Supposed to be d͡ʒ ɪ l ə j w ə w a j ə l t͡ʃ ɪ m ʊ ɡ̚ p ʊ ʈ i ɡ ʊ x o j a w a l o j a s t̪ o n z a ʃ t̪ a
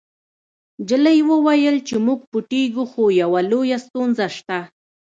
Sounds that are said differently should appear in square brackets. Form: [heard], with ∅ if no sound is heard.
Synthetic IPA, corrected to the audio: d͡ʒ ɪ l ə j w ə w a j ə l t͡ʃ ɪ m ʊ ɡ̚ p ʊ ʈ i ɡ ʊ x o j a w a l o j a s t̪ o n z a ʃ t̪ a